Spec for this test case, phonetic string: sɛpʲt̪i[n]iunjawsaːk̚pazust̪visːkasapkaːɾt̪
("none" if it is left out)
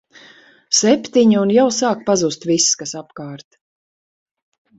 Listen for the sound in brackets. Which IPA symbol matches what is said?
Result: ɲ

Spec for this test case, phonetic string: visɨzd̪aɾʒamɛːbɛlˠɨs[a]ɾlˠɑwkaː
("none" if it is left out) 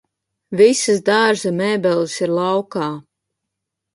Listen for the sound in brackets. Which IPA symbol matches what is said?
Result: i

